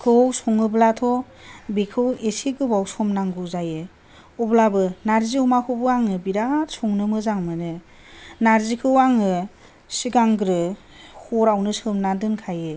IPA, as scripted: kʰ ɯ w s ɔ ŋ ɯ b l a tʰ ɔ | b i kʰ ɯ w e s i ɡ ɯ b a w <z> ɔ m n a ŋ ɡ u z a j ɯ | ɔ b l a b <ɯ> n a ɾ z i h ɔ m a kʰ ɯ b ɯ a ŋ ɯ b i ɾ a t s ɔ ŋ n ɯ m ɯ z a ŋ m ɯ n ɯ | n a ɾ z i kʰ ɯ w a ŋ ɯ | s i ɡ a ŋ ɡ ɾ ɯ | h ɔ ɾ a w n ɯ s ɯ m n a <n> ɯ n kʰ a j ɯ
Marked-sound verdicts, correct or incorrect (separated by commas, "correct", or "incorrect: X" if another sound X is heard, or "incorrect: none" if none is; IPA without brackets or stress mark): incorrect: s, correct, incorrect: d